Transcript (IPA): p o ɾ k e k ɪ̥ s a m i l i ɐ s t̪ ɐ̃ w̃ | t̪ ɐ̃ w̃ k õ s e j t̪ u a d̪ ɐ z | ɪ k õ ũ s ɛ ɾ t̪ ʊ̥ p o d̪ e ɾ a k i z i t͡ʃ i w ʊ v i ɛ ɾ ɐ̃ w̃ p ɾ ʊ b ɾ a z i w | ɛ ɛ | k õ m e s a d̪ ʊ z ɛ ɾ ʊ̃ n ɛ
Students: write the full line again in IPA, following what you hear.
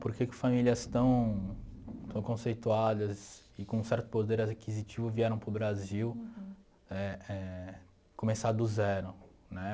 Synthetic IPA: p o ɾ k e k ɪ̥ f a m i l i ɐ s t̪ ɐ̃ w̃ | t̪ ɐ̃ w̃ k õ s e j t̪ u a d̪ ɐ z | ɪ k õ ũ s ɛ ɾ t̪ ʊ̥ p o d̪ e ɾ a k i z i t͡ʃ i v ʊ v i ɛ ɾ ɐ̃ w̃ p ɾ ʊ b ɾ a z i w | ɛ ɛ | k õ m e s a d̪ ʊ z ɛ ɾ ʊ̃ n ɛ